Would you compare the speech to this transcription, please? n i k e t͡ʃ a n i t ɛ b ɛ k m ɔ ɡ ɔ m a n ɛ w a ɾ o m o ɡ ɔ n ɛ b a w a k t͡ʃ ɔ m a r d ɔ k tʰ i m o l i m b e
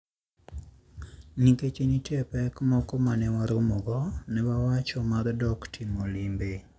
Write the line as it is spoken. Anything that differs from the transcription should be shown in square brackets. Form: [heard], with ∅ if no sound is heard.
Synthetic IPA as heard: n i k e t͡ʃ [e] n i t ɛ [p] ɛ k m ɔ [k] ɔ m a n ɛ w a ɾ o m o ɡ ɔ n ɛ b a w a [∅] t͡ʃ ɔ m a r d ɔ k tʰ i m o l i m b e